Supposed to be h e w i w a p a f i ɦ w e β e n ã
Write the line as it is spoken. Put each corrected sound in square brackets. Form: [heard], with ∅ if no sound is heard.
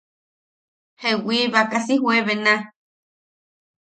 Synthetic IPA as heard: h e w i [β] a [k] a [s] i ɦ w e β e n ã